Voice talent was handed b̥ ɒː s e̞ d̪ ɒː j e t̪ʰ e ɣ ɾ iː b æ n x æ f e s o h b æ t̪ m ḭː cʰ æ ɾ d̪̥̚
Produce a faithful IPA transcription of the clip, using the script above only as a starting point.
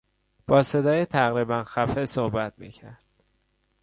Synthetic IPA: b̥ ɒː s e̞ d̪ ɒː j e t̪ʰ æ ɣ ɾ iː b æ n x æ f e s o h b æ t̪ m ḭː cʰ æ ɾ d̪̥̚